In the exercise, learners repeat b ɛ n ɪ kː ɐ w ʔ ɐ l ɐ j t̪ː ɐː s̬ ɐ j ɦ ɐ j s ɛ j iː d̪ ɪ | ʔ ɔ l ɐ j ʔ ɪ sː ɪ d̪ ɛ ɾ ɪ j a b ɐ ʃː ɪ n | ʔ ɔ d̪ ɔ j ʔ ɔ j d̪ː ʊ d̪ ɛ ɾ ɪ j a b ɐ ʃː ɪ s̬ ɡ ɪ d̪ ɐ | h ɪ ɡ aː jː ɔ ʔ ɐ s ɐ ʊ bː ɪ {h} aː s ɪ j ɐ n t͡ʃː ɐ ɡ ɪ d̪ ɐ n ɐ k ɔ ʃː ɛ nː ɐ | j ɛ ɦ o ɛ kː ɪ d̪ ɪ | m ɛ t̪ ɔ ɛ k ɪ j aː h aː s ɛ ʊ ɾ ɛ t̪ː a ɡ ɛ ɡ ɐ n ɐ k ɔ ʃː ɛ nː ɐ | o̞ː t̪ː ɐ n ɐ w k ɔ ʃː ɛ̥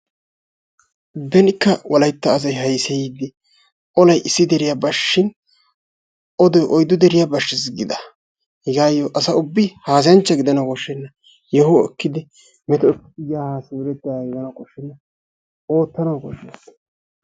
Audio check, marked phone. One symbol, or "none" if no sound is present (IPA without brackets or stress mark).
h